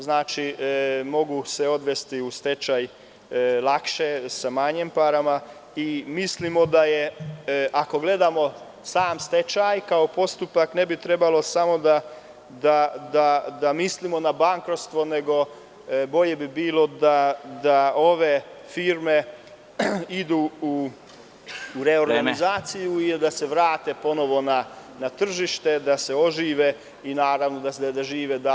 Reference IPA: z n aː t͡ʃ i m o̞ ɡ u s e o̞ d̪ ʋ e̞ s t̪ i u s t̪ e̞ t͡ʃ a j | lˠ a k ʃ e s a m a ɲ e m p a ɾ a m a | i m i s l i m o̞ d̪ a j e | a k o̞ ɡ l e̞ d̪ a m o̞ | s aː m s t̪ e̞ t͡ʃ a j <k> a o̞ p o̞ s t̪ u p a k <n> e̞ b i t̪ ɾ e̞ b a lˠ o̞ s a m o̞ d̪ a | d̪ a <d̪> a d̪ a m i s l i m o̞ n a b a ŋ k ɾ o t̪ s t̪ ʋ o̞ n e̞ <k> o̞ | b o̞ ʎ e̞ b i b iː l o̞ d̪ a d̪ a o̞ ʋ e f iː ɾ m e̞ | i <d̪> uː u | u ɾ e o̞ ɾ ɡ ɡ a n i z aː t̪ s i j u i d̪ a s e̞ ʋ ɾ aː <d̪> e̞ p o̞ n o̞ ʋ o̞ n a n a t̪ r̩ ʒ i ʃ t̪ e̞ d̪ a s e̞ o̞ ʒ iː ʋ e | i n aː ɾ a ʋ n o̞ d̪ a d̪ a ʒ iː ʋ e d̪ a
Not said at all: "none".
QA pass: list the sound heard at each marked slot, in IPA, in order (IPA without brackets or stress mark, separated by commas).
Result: k, n, d̪, ɡ, d̪, t̪